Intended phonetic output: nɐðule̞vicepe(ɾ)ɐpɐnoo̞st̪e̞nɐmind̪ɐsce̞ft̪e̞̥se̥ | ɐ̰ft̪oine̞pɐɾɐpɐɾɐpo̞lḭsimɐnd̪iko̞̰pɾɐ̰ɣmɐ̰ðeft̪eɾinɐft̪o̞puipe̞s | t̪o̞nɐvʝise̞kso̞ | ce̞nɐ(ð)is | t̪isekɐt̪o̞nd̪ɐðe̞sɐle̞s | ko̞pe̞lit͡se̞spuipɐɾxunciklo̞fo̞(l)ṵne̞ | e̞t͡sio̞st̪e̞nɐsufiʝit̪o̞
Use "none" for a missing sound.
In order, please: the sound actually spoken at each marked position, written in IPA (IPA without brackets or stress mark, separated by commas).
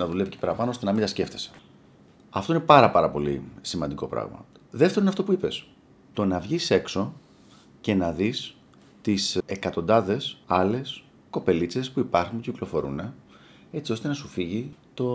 ɾ, ð, ɾ